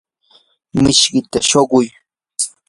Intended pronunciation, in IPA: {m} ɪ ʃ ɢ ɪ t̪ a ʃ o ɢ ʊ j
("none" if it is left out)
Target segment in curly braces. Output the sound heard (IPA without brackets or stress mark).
m